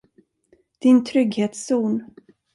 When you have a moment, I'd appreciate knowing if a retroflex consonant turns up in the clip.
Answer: no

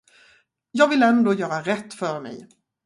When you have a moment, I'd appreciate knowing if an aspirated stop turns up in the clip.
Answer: no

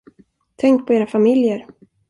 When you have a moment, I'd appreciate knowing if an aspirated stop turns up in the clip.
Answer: yes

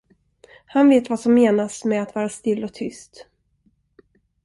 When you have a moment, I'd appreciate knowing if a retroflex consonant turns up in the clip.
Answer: no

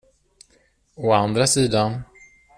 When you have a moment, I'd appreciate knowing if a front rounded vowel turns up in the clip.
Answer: no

